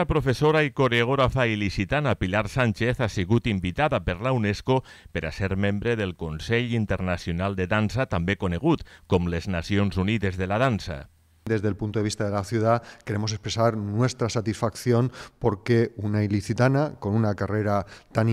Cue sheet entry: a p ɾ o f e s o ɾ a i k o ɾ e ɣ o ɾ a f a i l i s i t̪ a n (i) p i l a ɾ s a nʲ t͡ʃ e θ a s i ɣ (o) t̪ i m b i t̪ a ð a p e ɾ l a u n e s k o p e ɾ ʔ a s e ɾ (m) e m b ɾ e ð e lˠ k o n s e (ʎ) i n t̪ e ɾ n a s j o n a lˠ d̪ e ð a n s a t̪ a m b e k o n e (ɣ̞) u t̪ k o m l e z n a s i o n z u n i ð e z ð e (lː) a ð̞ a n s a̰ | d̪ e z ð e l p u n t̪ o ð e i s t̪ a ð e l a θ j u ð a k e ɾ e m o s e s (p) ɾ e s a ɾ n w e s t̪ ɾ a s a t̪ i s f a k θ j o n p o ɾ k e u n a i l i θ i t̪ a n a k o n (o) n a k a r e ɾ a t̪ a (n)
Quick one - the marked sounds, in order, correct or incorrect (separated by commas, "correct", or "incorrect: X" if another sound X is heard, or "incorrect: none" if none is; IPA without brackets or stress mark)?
incorrect: a, incorrect: u, correct, correct, correct, incorrect: l, correct, incorrect: u, correct